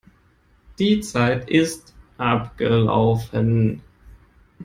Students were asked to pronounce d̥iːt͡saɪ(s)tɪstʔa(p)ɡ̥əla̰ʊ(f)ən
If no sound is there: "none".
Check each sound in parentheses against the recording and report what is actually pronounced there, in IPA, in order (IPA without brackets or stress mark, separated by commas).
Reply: none, p, f